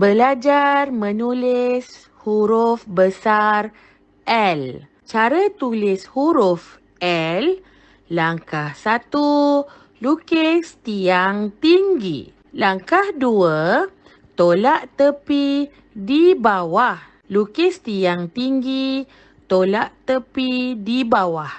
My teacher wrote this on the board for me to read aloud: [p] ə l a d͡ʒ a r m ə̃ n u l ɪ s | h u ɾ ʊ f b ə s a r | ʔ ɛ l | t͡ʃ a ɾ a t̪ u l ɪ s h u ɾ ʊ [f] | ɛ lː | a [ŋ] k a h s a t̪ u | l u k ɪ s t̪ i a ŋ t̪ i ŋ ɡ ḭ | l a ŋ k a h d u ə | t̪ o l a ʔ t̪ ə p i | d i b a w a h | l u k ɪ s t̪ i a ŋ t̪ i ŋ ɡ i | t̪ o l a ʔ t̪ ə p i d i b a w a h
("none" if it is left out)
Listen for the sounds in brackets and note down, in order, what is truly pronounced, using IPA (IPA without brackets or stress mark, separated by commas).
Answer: b, f, ŋ